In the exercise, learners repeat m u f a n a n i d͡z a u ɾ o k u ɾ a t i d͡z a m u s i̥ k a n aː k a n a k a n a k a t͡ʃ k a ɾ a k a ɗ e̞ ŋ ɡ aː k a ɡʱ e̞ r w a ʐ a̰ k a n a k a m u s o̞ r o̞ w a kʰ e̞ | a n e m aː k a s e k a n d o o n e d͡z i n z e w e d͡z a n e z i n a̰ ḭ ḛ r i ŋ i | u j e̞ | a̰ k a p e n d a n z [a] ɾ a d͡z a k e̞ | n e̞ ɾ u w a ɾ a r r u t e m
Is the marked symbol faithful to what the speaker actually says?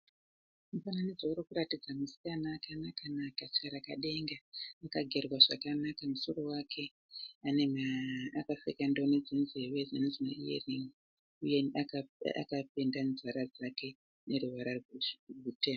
yes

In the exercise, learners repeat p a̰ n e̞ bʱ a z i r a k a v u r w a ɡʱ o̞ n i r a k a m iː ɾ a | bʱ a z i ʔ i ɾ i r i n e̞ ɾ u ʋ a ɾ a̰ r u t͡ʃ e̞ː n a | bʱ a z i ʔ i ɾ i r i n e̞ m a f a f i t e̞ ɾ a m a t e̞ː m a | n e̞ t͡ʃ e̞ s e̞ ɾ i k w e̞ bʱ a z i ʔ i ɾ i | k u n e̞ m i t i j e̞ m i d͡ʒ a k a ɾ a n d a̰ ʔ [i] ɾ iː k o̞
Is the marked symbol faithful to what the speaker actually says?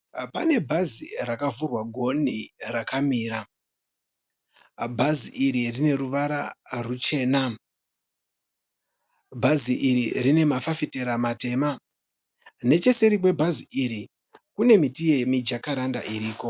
yes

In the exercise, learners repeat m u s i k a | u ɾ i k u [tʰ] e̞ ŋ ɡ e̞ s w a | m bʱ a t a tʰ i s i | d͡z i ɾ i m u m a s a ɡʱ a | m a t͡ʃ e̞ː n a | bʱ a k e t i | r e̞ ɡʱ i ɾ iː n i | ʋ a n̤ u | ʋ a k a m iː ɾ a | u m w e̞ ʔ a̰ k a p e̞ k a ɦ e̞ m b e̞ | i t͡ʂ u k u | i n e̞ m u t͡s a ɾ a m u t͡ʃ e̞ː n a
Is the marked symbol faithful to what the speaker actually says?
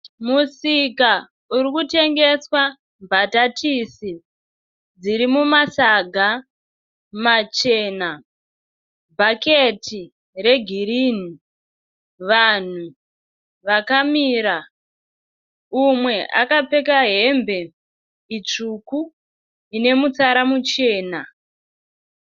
no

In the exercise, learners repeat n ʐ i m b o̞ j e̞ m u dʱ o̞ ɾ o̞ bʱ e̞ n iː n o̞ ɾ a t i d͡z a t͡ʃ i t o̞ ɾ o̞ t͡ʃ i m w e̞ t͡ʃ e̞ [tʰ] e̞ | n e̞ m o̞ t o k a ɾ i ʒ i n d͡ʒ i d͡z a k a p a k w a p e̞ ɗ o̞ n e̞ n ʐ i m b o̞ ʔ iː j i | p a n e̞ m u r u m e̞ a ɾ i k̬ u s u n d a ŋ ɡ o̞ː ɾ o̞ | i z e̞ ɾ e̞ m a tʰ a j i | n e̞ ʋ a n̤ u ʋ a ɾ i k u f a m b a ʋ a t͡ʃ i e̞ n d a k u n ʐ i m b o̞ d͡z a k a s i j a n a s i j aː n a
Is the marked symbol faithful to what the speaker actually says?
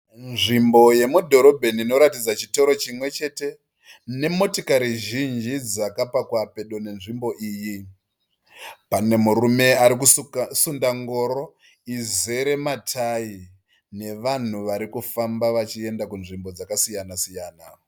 no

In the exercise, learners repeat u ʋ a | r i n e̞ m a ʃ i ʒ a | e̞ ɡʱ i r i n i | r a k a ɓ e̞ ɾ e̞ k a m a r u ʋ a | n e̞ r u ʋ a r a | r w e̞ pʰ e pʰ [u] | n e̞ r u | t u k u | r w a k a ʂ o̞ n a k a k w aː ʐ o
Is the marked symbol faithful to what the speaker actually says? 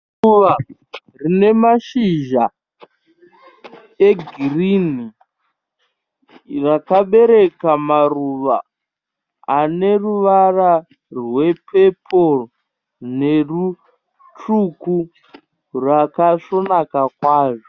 no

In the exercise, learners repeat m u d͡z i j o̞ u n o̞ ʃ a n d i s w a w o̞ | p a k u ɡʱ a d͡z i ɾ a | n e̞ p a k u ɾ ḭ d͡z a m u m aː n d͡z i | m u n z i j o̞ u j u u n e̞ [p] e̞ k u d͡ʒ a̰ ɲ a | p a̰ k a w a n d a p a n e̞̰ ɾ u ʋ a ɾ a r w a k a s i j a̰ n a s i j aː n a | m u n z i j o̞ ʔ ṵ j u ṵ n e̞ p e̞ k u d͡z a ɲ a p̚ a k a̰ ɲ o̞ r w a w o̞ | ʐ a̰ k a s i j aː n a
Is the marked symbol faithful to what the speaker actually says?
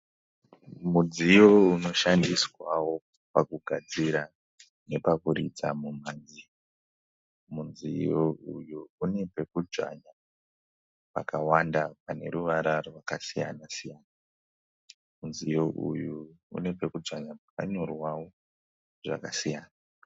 yes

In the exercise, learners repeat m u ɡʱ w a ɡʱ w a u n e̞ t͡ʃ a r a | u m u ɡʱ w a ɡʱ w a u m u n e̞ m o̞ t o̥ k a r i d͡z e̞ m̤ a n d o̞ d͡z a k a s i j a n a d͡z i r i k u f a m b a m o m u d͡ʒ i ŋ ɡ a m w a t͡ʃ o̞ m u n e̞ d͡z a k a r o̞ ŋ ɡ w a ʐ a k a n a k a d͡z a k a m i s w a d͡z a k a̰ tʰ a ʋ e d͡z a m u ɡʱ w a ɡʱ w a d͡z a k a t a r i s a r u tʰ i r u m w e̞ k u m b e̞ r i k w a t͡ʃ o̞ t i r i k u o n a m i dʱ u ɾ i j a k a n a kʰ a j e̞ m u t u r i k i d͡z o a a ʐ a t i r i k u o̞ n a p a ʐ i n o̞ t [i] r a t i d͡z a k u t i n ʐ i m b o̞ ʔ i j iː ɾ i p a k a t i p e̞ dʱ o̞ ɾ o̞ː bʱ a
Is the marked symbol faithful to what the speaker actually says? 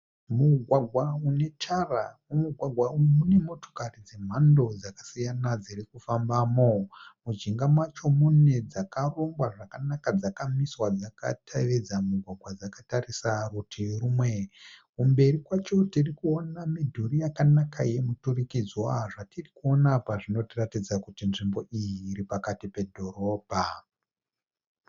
yes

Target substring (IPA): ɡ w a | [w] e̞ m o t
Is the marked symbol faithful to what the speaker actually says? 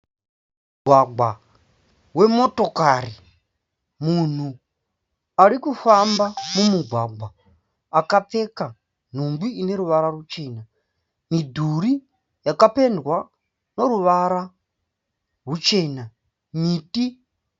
yes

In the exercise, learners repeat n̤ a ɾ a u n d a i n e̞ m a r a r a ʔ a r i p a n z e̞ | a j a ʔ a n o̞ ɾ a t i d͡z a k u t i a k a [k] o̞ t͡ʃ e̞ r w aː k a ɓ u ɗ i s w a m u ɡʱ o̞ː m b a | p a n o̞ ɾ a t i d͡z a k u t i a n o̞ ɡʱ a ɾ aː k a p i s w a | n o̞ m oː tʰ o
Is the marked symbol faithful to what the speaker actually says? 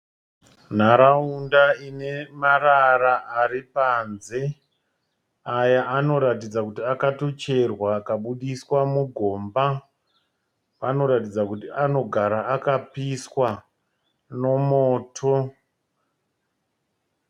no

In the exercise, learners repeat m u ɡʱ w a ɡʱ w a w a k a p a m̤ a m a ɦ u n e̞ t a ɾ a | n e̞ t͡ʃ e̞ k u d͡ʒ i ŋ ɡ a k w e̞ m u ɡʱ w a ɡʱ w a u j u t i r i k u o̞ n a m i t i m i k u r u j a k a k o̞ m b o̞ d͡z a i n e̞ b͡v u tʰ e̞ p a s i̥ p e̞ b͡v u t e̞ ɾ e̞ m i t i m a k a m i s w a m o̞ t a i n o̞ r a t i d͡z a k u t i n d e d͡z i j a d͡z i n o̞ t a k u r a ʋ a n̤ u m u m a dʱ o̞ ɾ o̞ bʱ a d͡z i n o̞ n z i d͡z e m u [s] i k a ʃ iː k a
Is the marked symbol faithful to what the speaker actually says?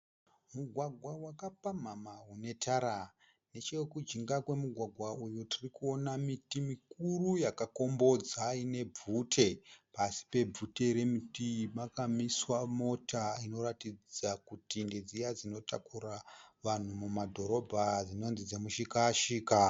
no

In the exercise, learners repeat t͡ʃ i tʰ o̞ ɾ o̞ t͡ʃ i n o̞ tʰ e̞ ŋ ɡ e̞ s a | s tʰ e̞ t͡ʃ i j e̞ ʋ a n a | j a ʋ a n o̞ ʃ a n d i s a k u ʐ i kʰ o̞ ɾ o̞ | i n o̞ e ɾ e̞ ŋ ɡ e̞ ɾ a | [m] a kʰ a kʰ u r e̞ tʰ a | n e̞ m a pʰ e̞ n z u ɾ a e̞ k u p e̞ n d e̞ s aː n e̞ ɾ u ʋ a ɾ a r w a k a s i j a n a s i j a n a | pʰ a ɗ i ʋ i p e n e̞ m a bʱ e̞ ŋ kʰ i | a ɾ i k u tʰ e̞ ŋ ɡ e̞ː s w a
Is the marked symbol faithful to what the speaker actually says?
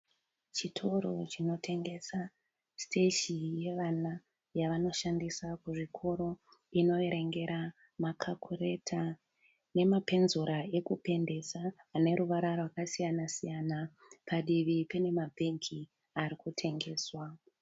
yes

